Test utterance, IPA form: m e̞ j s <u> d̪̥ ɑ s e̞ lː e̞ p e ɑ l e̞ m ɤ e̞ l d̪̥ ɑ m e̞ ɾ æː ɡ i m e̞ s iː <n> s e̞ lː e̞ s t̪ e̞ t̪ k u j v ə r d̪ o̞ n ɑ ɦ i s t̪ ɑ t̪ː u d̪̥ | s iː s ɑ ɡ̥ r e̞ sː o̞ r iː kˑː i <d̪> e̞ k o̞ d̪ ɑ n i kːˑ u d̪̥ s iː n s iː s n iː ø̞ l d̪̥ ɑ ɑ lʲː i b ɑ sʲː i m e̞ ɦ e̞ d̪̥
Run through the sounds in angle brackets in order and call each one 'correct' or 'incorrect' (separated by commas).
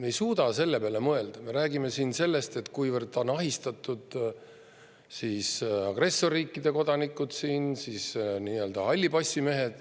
incorrect, correct, correct